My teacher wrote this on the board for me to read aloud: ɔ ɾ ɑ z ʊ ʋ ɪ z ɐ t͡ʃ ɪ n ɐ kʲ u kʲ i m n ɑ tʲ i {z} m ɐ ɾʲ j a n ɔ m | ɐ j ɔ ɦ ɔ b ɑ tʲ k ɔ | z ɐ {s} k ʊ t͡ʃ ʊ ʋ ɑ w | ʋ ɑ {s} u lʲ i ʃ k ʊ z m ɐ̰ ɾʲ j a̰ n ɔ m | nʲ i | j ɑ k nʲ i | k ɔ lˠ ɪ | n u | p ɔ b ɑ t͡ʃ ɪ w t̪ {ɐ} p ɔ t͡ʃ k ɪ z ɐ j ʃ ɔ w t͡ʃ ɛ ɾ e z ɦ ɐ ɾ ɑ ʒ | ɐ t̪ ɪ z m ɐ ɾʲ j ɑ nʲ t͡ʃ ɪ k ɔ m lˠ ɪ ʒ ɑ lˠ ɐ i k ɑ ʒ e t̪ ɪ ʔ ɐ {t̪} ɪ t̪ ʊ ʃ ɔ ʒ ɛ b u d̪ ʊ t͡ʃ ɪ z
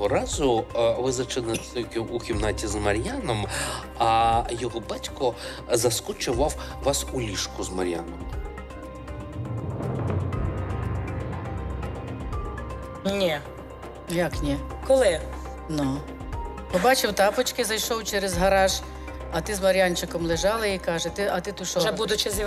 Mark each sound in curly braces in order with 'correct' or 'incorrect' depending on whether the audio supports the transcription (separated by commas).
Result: correct, correct, correct, incorrect, correct